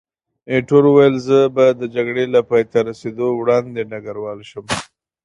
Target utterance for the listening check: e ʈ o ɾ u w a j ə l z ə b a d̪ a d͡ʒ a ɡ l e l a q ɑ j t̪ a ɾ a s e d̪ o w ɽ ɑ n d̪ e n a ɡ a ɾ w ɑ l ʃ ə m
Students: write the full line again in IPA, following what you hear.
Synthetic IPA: e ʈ o ɾ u w a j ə l z ə b a d̪ ə d͡ʒ a ɡ ɽ e l a p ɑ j t̪ a ɾ a s e d̪ o w ɽ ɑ n d̪ e n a ɡ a ɾ w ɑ l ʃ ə m